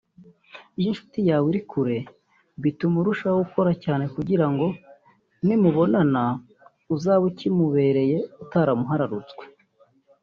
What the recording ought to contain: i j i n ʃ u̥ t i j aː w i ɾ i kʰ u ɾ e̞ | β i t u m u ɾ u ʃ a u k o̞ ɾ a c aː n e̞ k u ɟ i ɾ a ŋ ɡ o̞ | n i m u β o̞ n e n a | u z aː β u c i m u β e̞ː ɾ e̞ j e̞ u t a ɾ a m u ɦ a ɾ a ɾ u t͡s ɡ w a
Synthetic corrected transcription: i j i n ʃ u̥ t i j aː w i ɾ i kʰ u ɾ e̞ | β i t u m u ɾ u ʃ a u k o̞ ɾ a c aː n e̞ k u ɟ i ɾ a ŋ ɡ o̞ | n i m u β o̞ n a n a | u z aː β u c i m u β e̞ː ɾ e̞ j e̞ u t a ɾ a m u ɦ a ɾ a ɾ u t͡s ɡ w e